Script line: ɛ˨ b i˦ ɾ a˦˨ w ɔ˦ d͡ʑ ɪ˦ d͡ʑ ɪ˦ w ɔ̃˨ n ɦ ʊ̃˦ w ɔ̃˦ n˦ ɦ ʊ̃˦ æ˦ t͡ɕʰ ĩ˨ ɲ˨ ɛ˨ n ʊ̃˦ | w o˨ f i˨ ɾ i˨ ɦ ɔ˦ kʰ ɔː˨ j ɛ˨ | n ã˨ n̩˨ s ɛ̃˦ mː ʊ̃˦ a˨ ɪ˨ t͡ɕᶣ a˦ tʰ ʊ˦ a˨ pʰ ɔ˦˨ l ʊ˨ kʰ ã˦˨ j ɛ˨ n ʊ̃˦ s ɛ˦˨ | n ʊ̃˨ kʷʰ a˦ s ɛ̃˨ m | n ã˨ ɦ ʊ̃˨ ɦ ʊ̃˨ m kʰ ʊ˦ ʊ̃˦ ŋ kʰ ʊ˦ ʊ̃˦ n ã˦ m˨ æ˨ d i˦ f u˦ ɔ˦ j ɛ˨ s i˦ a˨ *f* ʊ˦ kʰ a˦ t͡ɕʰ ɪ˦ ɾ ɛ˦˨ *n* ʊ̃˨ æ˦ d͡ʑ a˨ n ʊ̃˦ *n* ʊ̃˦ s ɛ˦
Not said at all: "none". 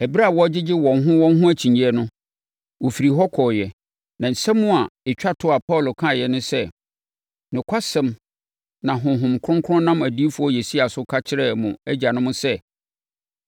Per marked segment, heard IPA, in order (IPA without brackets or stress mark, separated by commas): s, m, m